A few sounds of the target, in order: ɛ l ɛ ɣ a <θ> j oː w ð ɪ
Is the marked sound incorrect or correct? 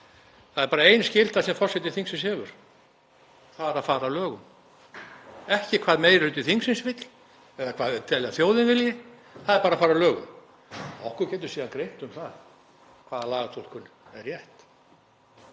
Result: correct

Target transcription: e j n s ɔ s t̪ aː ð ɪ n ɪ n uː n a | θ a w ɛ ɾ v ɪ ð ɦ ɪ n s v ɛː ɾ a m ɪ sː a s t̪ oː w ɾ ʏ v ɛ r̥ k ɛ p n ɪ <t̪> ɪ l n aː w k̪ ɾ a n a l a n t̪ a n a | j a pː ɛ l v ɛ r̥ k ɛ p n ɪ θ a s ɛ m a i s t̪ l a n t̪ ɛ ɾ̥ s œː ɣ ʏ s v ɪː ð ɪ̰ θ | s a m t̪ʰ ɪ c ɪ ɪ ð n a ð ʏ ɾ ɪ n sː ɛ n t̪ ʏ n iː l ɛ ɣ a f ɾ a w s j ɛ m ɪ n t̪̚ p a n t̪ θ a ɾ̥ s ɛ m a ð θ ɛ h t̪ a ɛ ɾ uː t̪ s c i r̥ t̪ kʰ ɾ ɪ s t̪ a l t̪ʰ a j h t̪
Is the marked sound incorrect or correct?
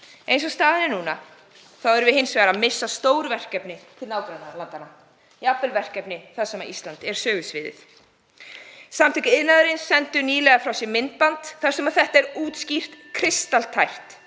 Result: incorrect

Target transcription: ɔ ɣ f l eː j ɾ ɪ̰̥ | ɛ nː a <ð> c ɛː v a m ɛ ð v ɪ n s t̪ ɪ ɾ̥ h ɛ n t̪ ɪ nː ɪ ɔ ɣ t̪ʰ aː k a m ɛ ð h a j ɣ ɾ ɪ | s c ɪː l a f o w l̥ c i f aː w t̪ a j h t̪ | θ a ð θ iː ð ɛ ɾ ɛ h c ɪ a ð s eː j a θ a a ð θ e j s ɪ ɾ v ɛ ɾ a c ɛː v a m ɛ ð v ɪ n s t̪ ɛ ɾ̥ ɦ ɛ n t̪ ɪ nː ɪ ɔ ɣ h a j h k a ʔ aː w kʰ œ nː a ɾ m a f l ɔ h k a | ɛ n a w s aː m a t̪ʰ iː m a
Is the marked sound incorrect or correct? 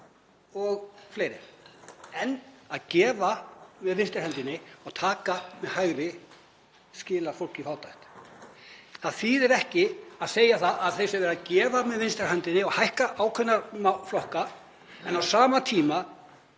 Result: correct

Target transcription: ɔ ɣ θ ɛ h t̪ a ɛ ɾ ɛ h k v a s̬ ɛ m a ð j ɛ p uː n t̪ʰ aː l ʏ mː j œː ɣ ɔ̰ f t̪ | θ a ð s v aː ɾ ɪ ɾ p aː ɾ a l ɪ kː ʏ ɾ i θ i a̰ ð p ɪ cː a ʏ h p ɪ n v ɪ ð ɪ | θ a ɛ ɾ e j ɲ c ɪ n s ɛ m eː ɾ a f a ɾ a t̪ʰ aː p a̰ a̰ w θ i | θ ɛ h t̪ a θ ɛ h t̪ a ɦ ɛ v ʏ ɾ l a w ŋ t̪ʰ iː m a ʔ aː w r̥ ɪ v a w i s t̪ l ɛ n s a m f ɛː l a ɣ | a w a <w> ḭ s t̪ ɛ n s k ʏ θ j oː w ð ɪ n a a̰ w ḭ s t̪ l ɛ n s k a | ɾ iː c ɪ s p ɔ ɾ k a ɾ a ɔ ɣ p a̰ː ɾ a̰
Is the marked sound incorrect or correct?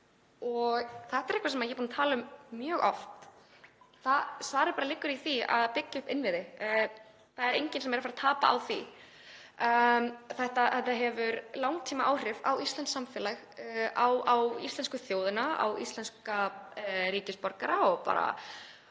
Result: correct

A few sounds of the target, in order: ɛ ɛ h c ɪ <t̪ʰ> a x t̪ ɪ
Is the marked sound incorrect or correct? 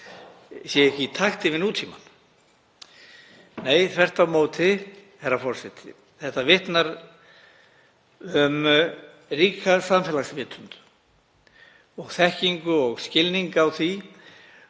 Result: correct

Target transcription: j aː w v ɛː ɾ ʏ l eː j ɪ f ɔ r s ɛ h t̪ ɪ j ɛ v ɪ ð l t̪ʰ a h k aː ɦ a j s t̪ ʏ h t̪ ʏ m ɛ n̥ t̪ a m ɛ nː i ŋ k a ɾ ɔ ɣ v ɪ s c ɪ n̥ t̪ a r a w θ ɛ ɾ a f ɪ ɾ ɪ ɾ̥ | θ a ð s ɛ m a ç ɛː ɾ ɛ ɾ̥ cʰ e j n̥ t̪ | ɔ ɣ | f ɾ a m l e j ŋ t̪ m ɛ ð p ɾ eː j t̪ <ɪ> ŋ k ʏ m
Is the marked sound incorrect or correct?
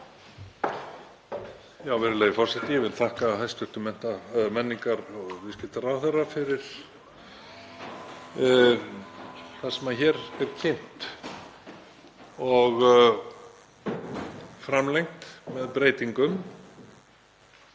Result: incorrect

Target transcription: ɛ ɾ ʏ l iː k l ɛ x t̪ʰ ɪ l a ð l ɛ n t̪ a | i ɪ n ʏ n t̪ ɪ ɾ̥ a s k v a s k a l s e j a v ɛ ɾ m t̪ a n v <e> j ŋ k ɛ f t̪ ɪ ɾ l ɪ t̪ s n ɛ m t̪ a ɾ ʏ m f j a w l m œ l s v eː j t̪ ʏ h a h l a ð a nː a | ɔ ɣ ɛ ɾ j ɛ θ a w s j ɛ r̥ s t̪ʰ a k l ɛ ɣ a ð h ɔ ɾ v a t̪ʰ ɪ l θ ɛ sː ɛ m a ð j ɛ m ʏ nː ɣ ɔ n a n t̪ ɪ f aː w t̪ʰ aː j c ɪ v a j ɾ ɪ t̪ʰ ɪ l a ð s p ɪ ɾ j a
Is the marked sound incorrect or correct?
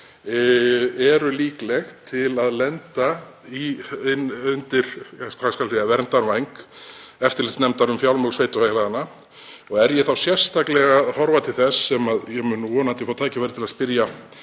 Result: incorrect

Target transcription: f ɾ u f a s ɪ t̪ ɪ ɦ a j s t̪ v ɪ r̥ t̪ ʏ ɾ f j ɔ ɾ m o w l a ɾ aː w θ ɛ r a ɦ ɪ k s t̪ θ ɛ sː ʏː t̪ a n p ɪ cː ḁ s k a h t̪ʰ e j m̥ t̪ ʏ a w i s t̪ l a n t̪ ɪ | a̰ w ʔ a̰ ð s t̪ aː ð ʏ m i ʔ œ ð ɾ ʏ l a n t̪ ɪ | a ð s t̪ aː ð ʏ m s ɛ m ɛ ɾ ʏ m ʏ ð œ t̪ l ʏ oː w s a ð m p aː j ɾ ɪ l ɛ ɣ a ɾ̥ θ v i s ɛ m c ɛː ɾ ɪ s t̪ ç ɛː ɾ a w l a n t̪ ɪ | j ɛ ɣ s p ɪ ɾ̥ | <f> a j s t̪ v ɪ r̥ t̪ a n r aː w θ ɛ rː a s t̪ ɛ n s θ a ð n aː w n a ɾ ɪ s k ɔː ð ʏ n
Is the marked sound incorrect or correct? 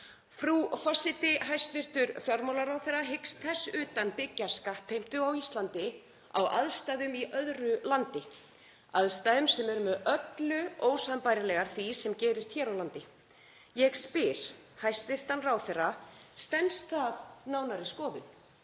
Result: incorrect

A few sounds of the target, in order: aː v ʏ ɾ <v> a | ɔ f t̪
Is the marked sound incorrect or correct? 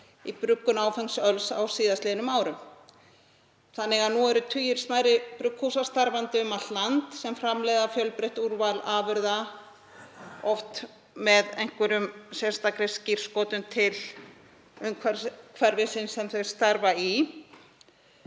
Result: incorrect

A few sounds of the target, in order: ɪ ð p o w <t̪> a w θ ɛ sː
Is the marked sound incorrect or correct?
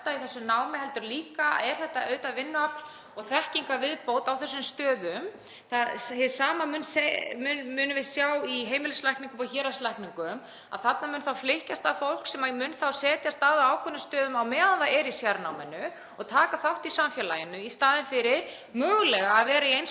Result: correct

